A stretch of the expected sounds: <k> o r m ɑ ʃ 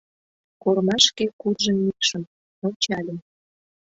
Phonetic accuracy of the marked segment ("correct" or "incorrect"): correct